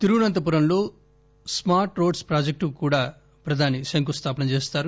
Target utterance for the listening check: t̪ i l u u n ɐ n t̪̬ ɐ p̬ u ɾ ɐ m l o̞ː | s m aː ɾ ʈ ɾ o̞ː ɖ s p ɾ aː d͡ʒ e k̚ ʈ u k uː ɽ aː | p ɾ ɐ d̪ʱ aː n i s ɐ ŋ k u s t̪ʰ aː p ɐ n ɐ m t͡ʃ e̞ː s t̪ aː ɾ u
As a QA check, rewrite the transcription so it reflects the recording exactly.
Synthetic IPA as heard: t̪ i ɾ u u n ɐ n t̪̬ ɐ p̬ u ɾ ɐ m l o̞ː | s m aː ɾ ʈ ɾ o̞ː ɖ s p ɾ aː d͡ʒ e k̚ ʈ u k uː ɽ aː | p ɾ ɐ d̪ʱ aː n i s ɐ ŋ k u s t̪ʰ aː p ɐ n ɐ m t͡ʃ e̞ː s t̪ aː ɾ u